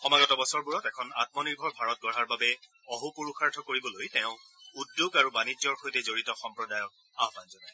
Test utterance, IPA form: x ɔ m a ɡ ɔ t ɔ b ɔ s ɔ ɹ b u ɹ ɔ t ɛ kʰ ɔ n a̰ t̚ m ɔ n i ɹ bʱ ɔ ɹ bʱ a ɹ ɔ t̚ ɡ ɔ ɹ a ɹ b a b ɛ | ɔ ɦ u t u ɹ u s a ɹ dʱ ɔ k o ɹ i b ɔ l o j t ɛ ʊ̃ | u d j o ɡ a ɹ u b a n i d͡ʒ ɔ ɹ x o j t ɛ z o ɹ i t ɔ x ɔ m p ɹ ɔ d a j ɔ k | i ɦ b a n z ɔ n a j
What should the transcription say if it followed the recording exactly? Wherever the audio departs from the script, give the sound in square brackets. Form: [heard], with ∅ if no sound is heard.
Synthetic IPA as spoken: x ɔ m a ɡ ɔ t ɔ b ɔ s ɔ ɹ b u ɹ ɔ t ɛ kʰ ɔ n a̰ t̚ m ɔ n i ɹ bʱ ɔ ɹ bʱ a ɹ ɔ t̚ ɡ ɔ ɹ a ɹ b a b ɛ | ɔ ɦ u [p] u ɹ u [x] a ɹ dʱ ɔ k o ɹ i b ɔ l o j t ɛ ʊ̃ | u d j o ɡ a ɹ u b a n i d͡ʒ ɔ ɹ x o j t ɛ z o ɹ i t ɔ x ɔ m p ɹ ɔ d a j ɔ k | [a] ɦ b a n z ɔ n a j

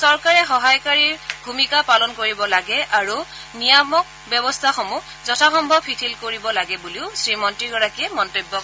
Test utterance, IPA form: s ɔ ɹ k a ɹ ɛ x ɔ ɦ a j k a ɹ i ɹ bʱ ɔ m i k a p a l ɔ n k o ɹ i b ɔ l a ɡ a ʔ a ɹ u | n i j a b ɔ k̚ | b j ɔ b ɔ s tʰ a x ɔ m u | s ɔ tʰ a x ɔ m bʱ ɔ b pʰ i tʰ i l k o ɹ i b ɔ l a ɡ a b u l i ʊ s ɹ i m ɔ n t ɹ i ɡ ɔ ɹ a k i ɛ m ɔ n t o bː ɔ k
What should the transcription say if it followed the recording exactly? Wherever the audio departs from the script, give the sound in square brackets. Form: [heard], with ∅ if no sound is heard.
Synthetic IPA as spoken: s ɔ ɹ k a ɹ ɛ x ɔ ɦ a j k a ɹ i ɹ bʱ [u] m i k a p a l ɔ n k o ɹ i b ɔ l a ɡ [ɛ] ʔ a ɹ u | n i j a [m] ɔ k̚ | b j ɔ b ɔ s tʰ a x ɔ m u | [z] ɔ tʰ a x ɔ m bʱ ɔ b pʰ i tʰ i l k o ɹ i b ɔ l a ɡ [ɛ] b u l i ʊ s ɹ i m ɔ n t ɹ i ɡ ɔ ɹ a k i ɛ m ɔ n t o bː ɔ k

